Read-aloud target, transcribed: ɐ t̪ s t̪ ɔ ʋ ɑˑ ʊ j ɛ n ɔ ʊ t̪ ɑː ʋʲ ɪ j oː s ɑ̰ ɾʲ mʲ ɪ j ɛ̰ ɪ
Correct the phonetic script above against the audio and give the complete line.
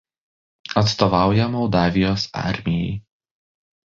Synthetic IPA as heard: ɐ t̪ s t̪ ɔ ʋ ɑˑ ʊ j ɛ m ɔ ʊ d̪ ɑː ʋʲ ɪ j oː s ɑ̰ ɾʲ mʲ ɪ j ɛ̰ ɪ